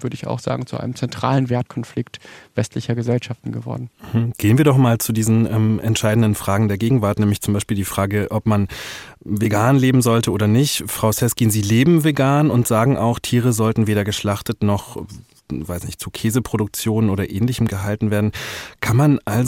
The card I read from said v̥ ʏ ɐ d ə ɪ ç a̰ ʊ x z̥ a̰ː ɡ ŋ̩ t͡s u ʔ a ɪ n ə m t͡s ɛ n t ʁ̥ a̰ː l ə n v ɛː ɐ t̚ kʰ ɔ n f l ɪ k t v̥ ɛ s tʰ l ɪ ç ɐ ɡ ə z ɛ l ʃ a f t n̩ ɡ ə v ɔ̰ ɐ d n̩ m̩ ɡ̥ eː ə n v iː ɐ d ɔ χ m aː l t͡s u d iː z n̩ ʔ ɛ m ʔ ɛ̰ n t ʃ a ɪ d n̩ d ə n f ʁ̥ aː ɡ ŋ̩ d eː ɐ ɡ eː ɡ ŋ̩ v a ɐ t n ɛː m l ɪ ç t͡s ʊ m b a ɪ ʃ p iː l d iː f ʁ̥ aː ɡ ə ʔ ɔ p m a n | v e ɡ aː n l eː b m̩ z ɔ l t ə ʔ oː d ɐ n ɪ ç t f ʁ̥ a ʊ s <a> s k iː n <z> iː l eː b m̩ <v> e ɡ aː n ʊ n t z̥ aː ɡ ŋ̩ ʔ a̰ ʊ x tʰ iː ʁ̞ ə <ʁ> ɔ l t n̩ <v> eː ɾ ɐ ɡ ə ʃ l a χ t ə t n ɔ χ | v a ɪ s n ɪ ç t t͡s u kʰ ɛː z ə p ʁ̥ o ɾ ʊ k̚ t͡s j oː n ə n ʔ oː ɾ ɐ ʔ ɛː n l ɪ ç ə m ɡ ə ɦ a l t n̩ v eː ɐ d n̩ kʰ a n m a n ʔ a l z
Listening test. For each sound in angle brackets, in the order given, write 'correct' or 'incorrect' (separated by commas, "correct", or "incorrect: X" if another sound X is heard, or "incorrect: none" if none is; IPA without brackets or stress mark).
incorrect: ɛ, correct, correct, incorrect: z, correct